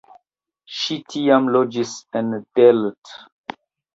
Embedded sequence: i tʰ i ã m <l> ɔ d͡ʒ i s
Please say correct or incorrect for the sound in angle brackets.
correct